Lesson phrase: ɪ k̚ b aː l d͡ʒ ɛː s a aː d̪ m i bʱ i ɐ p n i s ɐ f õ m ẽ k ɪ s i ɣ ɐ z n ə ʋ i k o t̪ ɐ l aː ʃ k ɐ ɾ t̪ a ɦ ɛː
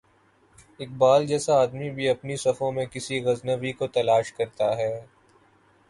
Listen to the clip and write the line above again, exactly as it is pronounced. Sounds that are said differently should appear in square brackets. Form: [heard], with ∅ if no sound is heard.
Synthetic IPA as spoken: ɪ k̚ b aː l d͡ʒ ɛː s a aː d̪ m i bʱ i ɐ p n i s ɐ f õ m ẽ k ɪ s i ɣ ɐ z n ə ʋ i k o t̪ ɐ l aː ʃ k ɐ ɾ t̪ a ɦ ɛː